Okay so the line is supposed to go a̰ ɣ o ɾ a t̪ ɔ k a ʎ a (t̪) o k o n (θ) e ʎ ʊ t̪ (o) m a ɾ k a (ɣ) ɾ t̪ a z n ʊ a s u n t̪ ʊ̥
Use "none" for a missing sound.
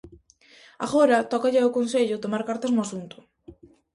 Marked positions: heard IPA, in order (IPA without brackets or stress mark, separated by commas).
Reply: none, s, o, none